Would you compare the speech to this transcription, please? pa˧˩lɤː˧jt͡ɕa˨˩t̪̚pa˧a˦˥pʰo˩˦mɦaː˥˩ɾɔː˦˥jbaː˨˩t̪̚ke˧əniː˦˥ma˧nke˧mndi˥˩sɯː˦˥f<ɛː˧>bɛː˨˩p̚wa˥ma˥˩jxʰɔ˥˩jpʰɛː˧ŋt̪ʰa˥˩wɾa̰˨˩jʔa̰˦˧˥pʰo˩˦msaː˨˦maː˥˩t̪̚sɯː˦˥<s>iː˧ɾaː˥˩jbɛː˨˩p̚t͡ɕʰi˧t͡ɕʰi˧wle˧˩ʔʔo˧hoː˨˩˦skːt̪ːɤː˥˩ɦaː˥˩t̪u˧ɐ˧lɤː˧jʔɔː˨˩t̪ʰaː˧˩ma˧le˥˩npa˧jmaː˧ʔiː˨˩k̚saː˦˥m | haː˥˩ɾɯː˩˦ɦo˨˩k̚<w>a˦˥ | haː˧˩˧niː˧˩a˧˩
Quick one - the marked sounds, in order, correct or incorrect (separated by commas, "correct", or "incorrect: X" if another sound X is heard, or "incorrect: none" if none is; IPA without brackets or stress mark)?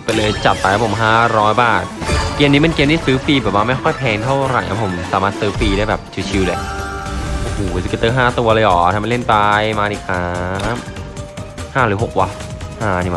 incorrect: iː˧, incorrect: f, correct